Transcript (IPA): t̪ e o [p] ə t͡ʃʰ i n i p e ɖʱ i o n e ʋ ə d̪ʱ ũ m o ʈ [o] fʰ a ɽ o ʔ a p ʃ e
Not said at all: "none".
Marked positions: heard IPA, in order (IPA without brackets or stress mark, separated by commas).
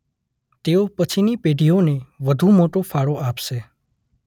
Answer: p, o